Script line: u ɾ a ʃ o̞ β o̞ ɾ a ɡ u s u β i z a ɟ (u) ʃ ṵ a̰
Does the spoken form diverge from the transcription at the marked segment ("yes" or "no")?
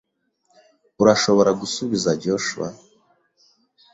yes